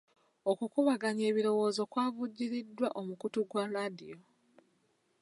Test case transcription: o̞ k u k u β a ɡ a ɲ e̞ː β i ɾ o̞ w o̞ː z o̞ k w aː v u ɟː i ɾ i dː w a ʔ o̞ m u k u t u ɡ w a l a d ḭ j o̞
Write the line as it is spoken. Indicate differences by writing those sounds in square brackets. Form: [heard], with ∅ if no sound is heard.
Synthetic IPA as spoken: o̞ k u k u β a ɡ a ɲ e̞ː β i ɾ o̞ w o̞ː z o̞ k w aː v u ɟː i ɾ i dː w a ʔ o̞ m u k u t u ɡ w a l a d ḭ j o̞